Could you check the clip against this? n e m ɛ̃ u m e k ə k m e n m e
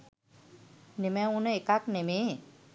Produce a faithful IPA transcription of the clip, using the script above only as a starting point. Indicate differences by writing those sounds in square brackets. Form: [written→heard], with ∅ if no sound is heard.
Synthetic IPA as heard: n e m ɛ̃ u [m→n] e k [ə→a] k [m→n] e [n→∅] m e